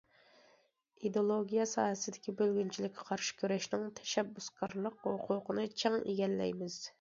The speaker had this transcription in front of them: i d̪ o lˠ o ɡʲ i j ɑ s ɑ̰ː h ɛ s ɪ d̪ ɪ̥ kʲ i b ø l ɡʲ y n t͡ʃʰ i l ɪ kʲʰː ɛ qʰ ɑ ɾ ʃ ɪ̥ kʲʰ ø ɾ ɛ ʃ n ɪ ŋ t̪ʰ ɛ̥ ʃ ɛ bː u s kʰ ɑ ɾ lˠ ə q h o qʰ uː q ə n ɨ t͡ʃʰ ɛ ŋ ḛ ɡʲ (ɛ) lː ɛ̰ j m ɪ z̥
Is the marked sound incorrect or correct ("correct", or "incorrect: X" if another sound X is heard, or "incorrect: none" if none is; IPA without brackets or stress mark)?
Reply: correct